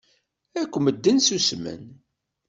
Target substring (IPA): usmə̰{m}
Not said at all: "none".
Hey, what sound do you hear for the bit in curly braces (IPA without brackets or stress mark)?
n